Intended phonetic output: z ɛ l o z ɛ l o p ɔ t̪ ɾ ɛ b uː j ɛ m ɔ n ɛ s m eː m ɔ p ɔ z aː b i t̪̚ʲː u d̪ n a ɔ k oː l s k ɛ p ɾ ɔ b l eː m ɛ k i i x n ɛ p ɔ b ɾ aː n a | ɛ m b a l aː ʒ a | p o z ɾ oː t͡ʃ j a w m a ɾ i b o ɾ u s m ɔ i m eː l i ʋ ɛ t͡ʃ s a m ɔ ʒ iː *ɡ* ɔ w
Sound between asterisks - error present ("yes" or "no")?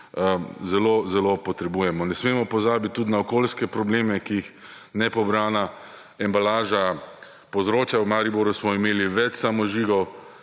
no